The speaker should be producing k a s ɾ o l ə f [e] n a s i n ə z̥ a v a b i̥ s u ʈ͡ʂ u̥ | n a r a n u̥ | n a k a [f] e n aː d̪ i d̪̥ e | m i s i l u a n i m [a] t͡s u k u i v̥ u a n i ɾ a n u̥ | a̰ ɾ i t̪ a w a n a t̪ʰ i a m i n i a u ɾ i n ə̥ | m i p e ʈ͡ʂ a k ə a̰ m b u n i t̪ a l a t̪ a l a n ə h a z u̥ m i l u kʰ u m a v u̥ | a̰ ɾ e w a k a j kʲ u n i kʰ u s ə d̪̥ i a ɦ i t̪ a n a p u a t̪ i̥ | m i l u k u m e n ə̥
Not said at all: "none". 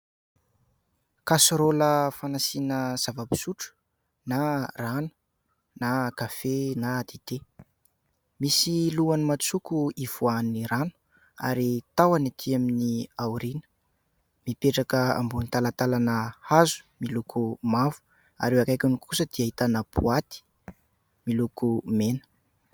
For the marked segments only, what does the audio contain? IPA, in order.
a, f, a

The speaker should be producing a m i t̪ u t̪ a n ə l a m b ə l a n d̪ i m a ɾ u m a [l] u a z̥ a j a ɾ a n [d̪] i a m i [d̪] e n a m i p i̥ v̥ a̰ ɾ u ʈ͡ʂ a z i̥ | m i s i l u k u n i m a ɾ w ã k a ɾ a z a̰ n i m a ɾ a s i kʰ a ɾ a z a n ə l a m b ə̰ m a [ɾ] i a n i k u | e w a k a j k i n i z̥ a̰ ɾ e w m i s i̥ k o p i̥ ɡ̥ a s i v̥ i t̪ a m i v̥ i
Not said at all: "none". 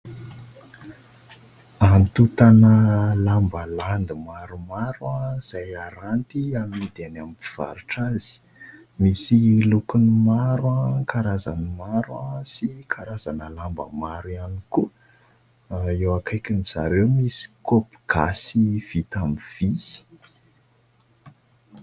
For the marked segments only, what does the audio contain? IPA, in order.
ɾ, t̪, d̪, ɾ

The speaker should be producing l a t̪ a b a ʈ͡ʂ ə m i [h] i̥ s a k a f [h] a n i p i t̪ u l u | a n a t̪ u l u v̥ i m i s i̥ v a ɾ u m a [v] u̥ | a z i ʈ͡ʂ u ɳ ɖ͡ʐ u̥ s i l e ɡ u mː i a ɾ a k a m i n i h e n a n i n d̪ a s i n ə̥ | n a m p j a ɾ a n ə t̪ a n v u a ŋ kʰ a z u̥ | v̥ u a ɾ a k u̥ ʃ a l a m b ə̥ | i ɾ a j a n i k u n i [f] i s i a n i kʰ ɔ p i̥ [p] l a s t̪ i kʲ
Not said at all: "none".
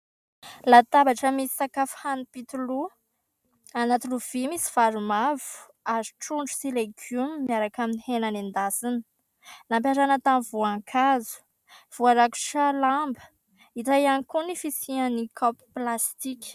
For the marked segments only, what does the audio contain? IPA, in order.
s, h, v, f, p

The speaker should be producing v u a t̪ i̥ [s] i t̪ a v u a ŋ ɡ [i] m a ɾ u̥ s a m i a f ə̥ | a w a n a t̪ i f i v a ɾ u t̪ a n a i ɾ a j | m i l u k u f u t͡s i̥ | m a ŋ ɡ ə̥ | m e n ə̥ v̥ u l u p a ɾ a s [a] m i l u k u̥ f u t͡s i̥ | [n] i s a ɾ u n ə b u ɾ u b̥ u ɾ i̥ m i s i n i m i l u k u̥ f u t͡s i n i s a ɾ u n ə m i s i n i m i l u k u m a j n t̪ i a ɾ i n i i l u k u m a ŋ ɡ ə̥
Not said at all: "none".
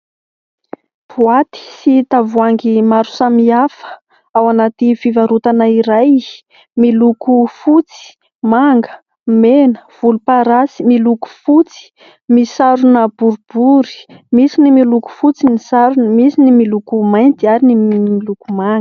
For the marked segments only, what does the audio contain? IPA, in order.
s, i, i, m

